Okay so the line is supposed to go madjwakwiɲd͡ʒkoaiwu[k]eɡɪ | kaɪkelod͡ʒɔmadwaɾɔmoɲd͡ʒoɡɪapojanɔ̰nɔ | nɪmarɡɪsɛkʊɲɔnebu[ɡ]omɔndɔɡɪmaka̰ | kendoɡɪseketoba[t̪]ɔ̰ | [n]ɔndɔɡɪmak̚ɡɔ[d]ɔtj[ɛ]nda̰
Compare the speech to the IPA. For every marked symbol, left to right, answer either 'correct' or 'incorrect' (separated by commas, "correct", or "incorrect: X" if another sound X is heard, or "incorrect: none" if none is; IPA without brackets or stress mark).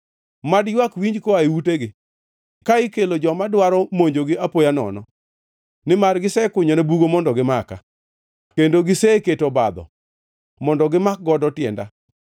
incorrect: t, correct, incorrect: d̪, incorrect: m, correct, correct